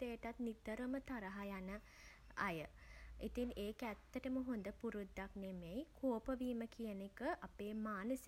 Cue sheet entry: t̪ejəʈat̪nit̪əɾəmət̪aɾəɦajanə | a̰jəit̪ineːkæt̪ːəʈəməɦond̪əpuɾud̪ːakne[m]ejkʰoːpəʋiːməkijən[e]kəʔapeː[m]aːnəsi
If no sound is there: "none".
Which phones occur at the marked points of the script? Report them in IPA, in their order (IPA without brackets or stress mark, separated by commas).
m, e, m